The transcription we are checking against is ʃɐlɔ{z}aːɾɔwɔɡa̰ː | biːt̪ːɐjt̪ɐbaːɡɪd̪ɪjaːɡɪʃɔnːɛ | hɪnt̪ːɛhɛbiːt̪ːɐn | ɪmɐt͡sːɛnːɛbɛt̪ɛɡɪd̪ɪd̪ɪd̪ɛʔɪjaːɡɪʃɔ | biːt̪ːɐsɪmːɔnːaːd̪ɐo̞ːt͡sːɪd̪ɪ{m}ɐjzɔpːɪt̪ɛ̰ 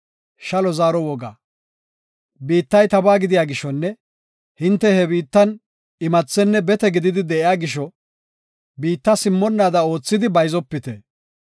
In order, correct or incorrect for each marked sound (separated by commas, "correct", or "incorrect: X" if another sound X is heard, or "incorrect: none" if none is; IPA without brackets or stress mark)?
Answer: correct, incorrect: b